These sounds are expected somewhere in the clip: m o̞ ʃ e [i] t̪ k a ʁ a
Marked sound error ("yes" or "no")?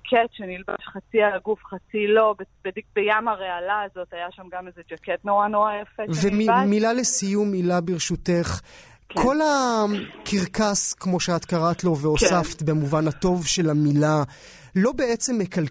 yes